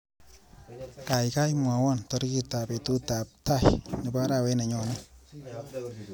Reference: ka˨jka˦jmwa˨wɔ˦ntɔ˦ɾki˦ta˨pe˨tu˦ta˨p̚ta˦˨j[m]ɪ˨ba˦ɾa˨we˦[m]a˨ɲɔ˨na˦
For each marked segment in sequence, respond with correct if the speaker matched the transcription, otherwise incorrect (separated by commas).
incorrect, incorrect